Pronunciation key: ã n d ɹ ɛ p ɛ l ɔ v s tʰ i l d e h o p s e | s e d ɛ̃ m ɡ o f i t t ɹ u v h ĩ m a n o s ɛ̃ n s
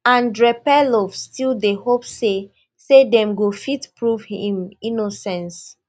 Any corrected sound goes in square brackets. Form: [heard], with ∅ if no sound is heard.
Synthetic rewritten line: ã n d ɹ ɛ p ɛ l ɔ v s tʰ i l d e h o p s e | s e d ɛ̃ m ɡ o f i t [p] ɹ u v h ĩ m [i] n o s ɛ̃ n s